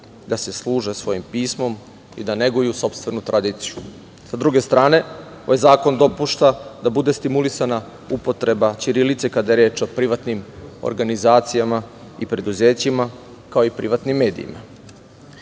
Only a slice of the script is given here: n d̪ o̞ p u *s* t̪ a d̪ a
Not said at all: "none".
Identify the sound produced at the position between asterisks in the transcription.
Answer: ʃ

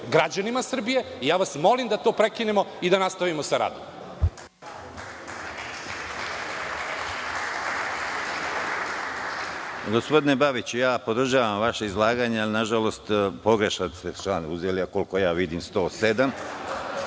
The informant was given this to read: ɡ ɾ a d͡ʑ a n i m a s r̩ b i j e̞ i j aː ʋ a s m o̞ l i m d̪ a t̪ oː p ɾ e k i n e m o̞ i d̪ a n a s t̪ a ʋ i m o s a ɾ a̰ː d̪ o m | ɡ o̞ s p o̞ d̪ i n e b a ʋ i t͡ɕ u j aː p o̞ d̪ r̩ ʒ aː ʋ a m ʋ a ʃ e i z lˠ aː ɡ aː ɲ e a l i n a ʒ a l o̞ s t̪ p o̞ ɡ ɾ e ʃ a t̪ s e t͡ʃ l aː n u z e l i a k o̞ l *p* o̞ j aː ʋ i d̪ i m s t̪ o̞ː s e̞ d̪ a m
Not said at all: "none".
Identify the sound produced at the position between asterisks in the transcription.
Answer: k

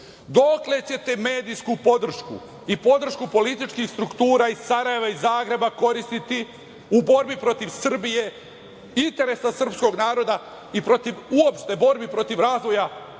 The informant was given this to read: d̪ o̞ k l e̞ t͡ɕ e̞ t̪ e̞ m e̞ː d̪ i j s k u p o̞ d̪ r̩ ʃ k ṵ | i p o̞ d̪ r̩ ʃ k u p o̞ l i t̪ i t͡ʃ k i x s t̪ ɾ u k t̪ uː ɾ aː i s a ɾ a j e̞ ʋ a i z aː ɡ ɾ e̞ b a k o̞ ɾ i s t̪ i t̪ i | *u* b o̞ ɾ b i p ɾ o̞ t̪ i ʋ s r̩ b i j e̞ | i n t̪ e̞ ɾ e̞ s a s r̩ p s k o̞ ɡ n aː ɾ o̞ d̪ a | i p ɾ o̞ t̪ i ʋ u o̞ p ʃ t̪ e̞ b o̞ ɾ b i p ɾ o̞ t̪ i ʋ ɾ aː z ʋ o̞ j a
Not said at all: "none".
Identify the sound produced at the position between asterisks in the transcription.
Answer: u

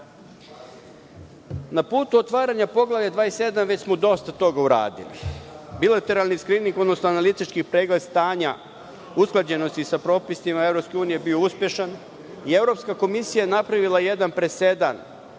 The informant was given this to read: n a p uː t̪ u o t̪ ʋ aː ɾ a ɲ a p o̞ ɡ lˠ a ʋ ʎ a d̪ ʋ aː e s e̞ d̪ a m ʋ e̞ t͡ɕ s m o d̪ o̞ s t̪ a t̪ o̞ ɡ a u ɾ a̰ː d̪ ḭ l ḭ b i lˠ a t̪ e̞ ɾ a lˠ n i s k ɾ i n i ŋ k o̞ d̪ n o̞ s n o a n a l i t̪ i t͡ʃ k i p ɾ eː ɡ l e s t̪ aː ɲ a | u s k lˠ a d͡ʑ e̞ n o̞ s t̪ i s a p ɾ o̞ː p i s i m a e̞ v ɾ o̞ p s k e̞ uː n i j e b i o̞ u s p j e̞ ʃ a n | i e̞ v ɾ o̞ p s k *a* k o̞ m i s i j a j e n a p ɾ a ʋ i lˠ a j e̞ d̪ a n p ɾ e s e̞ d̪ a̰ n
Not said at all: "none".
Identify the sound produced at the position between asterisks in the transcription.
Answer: a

